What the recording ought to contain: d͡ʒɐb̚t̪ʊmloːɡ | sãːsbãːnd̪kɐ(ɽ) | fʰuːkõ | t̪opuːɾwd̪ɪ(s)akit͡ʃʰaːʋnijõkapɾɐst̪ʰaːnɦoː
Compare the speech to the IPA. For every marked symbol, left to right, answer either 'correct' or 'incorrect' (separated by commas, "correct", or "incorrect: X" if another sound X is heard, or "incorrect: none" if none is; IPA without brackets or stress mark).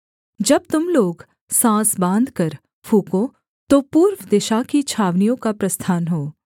incorrect: ɾ, incorrect: ʃ